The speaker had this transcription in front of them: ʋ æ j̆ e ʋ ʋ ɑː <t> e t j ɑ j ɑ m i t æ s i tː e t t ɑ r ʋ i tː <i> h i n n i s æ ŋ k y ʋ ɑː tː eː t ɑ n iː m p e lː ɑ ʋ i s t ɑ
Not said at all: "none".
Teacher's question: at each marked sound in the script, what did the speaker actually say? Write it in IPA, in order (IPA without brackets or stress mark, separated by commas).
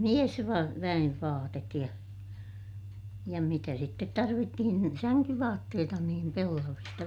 t, i